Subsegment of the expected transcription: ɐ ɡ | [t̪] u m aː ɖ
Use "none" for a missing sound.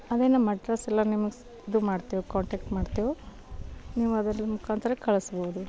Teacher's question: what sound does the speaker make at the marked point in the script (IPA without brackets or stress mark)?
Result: d̪